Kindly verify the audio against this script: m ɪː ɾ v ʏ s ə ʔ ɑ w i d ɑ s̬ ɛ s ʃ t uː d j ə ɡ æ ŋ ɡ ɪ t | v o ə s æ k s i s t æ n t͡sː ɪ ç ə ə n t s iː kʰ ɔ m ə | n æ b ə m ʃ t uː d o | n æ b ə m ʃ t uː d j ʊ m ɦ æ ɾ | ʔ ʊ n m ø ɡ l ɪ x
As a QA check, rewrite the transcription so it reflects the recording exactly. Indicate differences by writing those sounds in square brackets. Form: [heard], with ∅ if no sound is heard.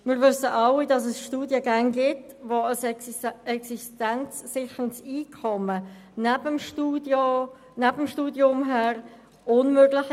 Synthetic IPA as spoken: m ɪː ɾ v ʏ s ə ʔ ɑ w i d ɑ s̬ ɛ s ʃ t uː d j ə ɡ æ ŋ ɡ ɪ t | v o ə s [ɛ] k s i s t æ n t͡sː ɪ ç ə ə n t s iː kʰ ɔ m ə | n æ b ə m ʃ t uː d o | n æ b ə m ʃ t uː d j ʊ m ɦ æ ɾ | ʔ ʊ n m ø ɡ l ɪ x